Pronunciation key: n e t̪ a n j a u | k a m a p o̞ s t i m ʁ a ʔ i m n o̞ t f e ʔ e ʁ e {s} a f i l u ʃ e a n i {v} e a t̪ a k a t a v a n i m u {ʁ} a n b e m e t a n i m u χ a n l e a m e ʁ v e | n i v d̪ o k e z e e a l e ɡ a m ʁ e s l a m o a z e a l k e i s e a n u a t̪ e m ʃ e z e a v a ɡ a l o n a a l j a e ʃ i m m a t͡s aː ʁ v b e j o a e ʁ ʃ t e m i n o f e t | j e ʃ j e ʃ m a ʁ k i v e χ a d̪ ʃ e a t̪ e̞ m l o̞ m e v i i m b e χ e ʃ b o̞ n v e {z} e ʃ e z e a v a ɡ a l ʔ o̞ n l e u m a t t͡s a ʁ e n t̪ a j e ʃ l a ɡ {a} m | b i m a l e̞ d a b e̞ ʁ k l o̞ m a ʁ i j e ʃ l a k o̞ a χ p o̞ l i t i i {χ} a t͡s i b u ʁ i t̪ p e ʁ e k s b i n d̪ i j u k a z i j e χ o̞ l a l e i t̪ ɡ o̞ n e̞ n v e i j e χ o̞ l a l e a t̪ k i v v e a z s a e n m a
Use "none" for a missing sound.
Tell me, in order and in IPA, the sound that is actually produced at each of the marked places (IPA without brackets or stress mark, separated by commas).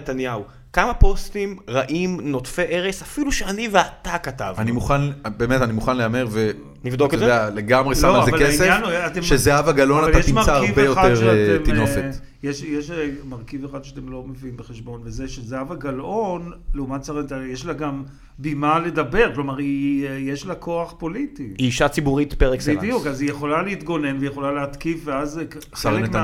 s, v, χ, z, a, ʃ